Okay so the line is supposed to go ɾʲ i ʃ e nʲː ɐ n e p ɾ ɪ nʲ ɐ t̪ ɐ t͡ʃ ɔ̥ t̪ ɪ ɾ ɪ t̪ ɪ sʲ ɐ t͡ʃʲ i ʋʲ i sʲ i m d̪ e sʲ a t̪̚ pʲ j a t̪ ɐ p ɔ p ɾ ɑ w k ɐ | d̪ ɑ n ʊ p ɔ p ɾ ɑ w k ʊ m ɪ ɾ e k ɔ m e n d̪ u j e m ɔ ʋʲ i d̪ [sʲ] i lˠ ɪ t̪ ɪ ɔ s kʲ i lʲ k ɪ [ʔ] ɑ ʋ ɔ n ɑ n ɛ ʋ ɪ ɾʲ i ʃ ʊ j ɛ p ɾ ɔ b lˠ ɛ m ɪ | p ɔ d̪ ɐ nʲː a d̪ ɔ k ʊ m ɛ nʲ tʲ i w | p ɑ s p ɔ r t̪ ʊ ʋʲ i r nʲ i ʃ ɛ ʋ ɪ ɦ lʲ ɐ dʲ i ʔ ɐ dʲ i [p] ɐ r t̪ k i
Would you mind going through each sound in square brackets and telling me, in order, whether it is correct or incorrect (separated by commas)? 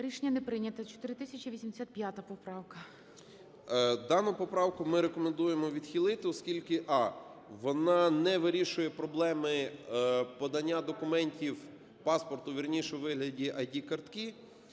incorrect, correct, incorrect